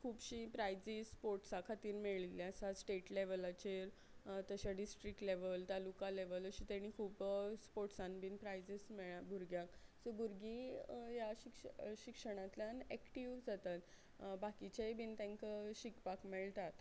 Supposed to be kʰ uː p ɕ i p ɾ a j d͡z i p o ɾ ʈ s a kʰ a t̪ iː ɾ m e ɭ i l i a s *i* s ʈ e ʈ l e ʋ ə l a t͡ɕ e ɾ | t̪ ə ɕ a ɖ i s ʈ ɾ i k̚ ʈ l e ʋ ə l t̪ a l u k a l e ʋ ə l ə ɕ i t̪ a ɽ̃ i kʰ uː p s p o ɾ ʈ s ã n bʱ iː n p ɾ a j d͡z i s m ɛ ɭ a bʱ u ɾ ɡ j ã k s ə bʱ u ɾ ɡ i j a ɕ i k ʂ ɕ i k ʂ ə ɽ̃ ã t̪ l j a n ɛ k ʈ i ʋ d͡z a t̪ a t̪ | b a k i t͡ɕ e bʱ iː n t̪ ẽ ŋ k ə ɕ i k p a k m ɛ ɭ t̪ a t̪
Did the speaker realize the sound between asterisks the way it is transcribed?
no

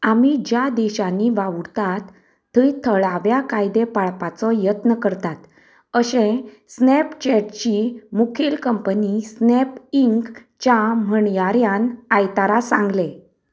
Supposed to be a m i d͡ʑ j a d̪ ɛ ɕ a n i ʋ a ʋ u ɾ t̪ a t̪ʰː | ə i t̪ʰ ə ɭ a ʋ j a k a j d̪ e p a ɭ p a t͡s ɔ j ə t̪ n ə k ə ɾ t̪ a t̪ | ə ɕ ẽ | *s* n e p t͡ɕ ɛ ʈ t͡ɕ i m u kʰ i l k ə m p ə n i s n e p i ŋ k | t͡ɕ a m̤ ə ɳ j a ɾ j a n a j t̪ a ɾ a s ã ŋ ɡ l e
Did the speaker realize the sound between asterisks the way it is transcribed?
yes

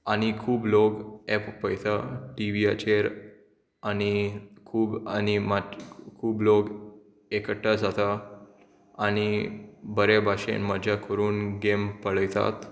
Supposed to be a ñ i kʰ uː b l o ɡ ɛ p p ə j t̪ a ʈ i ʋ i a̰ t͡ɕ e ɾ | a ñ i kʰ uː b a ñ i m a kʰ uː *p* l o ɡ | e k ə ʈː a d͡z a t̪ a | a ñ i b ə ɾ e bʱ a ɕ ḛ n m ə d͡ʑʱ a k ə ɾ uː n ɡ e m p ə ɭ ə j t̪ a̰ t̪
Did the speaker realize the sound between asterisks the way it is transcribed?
no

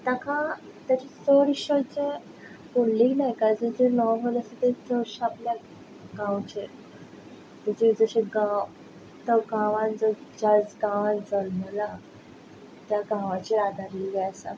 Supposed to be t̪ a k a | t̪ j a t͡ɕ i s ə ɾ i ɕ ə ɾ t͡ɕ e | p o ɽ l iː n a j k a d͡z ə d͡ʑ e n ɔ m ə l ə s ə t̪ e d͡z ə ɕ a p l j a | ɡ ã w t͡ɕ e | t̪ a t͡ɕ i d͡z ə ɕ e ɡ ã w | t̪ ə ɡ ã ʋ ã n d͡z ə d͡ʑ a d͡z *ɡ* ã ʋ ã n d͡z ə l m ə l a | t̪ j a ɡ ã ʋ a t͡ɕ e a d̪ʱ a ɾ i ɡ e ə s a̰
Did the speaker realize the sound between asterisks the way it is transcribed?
yes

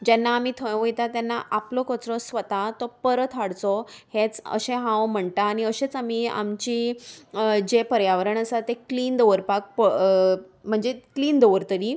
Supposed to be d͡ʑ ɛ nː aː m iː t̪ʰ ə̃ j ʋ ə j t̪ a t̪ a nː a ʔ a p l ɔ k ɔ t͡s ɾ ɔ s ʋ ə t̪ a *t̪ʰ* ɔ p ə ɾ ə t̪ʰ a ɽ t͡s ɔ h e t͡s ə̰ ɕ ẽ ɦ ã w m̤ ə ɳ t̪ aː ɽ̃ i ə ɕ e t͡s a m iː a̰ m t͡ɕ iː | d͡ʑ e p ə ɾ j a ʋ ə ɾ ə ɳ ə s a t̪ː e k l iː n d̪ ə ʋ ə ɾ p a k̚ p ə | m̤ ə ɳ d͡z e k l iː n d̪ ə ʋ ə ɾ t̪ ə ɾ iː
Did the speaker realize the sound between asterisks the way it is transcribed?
no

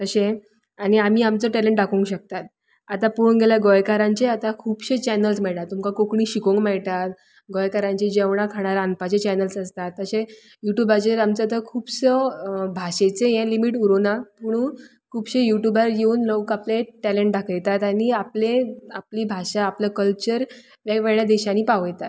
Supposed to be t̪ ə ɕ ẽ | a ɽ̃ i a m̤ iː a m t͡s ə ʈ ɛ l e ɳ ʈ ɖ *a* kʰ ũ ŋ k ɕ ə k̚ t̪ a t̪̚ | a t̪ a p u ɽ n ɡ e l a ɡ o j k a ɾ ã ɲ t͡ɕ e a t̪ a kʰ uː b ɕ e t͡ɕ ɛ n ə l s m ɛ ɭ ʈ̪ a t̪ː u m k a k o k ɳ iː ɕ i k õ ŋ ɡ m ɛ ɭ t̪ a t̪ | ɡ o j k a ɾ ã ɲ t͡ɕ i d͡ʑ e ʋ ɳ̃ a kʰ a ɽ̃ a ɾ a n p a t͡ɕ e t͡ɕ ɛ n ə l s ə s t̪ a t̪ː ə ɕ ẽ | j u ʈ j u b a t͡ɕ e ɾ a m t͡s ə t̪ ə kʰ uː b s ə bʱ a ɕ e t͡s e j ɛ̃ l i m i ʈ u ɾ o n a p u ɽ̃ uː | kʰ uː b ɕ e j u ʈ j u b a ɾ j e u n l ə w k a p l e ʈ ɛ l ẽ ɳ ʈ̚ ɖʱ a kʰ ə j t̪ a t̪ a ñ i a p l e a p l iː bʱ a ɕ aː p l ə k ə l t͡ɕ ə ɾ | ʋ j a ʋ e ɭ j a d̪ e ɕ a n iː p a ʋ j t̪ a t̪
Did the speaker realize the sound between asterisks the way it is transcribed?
yes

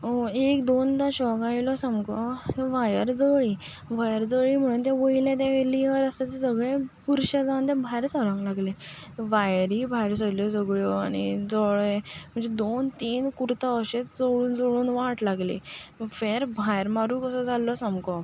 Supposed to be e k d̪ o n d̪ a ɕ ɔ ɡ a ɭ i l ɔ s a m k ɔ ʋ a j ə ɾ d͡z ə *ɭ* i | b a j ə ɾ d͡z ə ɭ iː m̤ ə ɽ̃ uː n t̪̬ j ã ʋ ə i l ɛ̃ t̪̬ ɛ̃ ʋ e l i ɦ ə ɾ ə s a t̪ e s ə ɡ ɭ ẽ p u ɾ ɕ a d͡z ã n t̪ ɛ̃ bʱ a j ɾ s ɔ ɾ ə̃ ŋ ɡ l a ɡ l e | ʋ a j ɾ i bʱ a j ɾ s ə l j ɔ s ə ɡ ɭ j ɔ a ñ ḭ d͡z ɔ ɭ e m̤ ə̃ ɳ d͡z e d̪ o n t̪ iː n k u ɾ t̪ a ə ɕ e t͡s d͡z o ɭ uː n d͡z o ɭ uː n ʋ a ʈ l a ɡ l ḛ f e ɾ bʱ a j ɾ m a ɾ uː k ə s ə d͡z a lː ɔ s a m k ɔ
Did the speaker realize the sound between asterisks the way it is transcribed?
yes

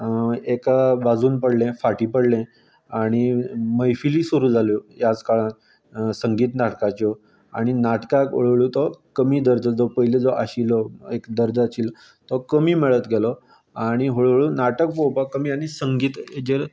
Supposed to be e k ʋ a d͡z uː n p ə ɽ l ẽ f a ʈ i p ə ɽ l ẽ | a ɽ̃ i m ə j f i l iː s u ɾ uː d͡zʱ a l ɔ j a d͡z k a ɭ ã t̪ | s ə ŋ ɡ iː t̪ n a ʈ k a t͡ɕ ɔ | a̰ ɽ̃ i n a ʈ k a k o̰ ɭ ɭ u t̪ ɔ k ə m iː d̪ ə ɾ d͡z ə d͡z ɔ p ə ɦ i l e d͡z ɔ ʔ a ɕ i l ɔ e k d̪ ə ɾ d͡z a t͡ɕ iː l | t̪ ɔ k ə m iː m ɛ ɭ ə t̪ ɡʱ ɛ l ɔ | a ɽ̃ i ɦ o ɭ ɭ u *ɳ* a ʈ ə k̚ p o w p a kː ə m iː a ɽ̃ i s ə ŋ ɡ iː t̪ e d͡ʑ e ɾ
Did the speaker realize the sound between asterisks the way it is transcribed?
no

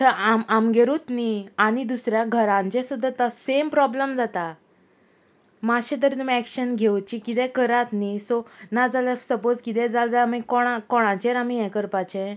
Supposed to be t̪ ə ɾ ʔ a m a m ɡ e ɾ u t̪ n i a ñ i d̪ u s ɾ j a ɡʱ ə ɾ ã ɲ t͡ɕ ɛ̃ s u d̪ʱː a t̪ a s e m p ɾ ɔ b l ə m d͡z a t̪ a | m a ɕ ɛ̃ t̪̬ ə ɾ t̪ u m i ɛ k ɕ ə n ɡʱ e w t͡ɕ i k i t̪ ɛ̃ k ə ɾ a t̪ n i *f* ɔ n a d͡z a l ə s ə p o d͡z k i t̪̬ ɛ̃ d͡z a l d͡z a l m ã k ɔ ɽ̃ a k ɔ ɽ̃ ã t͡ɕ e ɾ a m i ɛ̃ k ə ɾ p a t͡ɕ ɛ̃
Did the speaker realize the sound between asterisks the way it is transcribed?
no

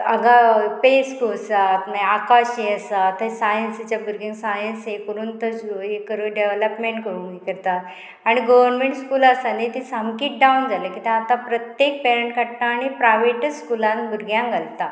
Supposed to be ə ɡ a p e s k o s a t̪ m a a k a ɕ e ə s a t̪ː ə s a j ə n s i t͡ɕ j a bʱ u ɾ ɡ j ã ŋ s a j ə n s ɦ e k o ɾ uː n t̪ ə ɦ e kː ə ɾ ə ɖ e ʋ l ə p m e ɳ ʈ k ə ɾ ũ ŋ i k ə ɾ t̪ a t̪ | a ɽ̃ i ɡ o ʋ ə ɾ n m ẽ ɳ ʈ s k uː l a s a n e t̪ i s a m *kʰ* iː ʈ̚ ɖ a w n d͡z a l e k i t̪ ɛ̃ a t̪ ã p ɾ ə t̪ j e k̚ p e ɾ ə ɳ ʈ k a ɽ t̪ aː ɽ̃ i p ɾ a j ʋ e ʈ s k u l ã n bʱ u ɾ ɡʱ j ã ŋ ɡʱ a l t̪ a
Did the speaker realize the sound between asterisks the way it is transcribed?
no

